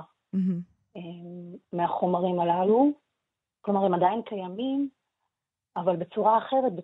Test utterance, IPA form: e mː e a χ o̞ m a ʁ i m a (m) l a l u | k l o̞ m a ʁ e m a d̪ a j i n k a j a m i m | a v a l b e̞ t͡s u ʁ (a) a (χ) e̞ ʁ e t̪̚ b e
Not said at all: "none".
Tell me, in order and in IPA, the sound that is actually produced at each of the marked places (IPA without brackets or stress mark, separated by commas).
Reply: none, a, χ